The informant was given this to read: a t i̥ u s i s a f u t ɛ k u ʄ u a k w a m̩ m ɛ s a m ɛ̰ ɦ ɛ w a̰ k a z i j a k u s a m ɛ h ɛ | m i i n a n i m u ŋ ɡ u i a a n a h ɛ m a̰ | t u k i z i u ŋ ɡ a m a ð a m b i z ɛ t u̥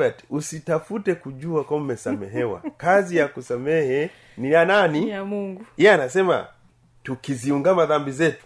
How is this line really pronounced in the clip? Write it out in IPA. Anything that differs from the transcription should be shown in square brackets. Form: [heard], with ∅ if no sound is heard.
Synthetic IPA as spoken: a t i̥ u s i [t] a f u t ɛ k u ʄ u a k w a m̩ m ɛ s a m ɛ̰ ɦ ɛ w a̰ k a z i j a k u s a m ɛ h ɛ | [n] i [a] n a n i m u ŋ ɡ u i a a n a [s] ɛ m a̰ | t u k i z i u ŋ ɡ a m a ð a m b i z ɛ t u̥